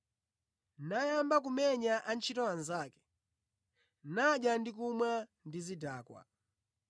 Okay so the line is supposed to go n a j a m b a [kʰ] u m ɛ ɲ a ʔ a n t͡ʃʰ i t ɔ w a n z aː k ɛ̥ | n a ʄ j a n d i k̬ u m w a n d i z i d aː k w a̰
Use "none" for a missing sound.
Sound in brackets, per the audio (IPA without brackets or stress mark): k